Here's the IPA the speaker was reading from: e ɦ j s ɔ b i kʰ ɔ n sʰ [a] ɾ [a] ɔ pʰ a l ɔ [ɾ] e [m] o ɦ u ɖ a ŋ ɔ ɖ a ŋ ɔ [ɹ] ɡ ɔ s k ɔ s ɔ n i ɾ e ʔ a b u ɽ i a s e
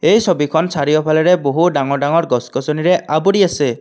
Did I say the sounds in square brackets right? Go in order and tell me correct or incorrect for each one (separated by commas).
correct, incorrect, correct, incorrect, incorrect